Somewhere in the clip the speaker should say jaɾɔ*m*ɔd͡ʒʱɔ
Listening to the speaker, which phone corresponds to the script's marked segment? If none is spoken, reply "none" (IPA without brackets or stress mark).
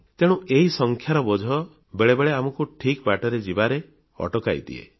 b